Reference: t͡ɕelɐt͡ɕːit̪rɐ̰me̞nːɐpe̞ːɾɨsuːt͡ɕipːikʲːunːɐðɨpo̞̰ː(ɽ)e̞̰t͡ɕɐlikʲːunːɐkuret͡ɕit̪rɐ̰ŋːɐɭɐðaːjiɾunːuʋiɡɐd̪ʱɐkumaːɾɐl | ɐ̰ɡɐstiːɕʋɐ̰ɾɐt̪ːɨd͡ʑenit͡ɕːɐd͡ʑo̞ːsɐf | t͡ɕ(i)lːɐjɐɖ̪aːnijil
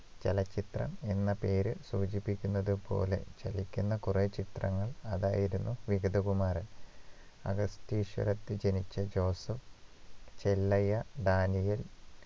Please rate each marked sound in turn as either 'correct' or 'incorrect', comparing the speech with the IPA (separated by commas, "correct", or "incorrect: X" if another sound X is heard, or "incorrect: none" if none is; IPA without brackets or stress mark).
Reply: incorrect: l, incorrect: e